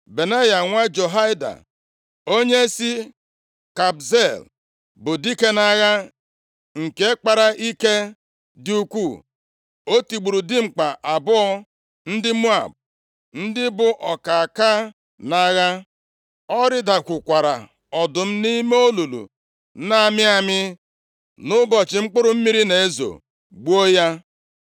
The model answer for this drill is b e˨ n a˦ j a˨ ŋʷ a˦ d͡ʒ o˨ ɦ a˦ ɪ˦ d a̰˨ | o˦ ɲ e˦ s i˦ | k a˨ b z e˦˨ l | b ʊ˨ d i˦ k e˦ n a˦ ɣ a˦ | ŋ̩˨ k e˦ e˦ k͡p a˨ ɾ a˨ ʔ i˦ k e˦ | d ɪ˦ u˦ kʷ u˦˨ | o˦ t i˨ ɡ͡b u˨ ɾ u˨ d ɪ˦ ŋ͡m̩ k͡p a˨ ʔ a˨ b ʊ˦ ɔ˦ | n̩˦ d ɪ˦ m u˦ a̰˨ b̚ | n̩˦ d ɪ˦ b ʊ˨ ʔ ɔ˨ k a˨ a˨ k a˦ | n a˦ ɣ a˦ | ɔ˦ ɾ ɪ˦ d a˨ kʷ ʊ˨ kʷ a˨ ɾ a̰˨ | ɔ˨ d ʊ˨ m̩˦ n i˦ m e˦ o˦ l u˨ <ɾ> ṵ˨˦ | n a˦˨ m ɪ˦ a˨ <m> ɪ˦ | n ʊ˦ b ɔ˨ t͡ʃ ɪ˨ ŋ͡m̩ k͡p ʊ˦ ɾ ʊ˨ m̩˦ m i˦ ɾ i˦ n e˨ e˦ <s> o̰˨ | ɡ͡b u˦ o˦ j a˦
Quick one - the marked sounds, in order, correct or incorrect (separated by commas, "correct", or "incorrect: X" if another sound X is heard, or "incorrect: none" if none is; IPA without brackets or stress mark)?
incorrect: l, correct, incorrect: z